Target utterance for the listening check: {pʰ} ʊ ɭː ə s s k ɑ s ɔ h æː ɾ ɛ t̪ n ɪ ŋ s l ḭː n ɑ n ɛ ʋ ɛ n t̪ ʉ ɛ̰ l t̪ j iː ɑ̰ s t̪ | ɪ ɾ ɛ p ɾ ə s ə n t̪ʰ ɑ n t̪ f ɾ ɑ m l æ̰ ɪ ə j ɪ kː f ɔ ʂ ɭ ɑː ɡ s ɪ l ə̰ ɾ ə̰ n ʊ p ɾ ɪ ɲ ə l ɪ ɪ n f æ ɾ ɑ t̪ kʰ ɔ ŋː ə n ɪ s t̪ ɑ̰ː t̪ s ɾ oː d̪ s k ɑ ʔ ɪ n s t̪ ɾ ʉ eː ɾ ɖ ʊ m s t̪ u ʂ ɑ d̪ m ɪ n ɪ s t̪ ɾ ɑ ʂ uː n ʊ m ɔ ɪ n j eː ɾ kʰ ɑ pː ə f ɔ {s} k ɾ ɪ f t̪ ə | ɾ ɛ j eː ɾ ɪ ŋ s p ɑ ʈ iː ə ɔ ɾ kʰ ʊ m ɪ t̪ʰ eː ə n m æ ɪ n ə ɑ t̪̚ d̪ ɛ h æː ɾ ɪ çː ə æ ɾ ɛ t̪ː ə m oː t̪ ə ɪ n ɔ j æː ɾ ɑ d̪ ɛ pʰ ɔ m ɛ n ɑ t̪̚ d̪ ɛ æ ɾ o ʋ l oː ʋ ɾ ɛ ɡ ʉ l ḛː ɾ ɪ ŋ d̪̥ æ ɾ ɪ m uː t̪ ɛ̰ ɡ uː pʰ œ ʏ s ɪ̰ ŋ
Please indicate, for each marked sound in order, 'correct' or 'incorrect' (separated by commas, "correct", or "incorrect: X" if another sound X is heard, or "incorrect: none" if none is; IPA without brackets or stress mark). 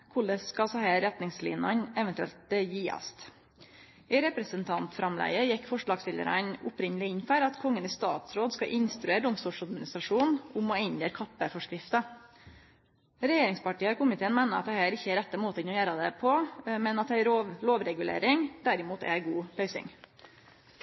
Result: incorrect: kʰ, incorrect: ʂ